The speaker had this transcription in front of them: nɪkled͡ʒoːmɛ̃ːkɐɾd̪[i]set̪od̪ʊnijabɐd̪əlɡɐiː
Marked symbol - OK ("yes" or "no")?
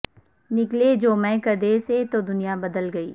no